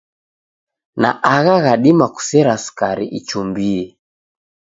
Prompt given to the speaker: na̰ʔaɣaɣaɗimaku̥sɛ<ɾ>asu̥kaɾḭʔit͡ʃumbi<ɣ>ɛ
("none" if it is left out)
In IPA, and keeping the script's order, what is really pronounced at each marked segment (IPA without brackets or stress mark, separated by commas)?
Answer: ɾ, none